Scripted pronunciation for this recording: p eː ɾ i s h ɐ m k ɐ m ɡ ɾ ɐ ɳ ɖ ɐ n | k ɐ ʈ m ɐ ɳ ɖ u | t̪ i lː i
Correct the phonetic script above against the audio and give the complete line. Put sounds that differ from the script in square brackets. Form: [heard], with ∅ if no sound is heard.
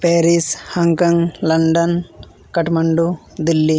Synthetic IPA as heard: p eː ɾ i s h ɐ [ŋ] k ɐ [ŋ] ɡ [l] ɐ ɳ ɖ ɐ n | k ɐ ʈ m ɐ ɳ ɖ u | [d̪] i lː i